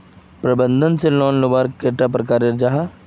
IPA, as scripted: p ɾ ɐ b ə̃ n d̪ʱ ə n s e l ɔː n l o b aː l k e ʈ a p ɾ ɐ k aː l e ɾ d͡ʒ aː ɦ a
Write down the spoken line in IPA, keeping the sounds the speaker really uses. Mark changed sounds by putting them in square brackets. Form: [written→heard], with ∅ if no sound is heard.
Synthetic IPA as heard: p ɾ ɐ b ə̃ n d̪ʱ ə n s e l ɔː n l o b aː [l→ɾ] k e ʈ a p ɾ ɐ k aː [l→ɾ] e ɾ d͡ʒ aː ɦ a